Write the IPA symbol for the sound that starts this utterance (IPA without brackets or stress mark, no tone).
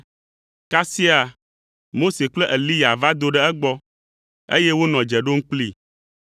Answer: k